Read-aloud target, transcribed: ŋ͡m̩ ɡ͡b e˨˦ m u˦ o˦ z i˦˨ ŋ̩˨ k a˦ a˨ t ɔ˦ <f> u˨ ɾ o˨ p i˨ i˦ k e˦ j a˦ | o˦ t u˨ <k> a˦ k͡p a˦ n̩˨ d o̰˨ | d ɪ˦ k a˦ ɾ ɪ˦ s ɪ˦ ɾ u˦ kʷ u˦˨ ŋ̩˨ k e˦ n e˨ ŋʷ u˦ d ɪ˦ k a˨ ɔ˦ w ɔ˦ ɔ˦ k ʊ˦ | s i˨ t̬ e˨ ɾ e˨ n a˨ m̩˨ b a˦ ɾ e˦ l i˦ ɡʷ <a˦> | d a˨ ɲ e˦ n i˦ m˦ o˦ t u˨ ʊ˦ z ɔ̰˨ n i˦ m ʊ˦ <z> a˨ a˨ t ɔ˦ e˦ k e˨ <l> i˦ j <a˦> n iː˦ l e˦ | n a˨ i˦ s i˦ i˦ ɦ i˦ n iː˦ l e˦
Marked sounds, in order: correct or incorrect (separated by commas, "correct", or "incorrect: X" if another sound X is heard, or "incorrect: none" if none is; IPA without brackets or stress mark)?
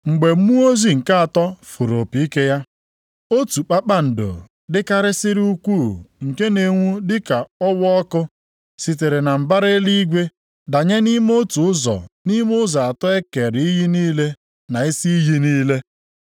correct, incorrect: k͡p, incorrect: e˦, correct, incorrect: ɾ, incorrect: i˦